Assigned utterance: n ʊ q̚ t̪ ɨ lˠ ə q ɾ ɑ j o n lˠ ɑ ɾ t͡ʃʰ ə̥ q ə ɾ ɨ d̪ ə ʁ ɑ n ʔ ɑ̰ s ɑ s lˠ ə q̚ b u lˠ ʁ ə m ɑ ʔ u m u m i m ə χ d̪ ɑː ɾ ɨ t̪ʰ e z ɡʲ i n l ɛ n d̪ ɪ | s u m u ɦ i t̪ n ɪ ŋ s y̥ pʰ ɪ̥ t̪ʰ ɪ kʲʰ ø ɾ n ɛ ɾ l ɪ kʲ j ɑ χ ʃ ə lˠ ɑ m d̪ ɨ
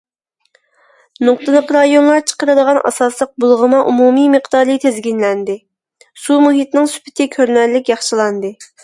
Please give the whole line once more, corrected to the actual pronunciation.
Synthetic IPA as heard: n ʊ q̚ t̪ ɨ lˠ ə q ɾ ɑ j o n lˠ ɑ ɾ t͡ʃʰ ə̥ q ə ɾ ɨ d̪ ə ʁ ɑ n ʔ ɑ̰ s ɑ s lˠ ə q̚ b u lˠ ʁ ə m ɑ ʔ u m u m i m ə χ d̪ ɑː ɾ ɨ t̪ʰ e z ɡʲ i n l ɛ n d̪ ɪ | s u m u ɦ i t̪ n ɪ ŋ s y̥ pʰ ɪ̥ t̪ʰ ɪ kʲʰ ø ɾ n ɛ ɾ l ɪ kʲ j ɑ χ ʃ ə lˠ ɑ n d̪ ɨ